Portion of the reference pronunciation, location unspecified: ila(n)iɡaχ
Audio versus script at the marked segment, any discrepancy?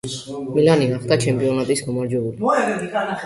no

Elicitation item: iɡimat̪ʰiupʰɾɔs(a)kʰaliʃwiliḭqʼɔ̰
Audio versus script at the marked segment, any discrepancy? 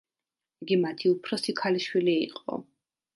yes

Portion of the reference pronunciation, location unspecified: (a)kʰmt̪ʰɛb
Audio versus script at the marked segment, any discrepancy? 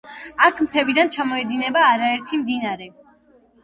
no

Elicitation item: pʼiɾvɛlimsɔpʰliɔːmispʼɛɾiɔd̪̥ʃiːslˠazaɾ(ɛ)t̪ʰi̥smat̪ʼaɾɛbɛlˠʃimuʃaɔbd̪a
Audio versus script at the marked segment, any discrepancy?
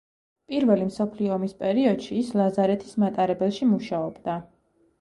no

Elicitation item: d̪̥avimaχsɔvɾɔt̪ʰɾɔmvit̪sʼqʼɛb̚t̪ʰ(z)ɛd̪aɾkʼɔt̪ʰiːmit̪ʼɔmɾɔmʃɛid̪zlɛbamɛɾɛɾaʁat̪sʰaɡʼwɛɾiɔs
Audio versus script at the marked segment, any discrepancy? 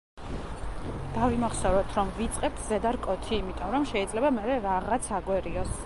no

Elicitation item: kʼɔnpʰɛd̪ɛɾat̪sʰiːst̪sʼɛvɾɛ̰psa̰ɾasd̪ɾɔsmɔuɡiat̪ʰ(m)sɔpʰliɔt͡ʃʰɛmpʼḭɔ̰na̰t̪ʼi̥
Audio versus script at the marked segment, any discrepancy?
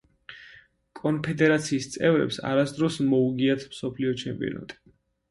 no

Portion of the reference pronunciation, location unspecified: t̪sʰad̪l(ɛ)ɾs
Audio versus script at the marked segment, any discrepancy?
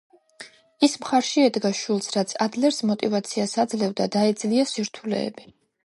no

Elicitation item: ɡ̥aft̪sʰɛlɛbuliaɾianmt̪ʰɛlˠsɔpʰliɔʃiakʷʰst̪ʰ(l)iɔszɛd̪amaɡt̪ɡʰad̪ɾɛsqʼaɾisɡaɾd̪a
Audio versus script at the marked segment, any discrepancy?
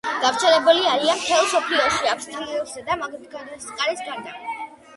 no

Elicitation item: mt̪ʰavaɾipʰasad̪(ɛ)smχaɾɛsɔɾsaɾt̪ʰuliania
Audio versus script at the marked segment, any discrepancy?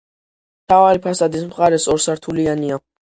yes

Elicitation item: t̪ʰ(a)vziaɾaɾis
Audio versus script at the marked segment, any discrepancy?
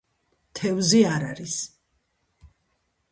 yes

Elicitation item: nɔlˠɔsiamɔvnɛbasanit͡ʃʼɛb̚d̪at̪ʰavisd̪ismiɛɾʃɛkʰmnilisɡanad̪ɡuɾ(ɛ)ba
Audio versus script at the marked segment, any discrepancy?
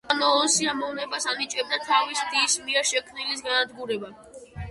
no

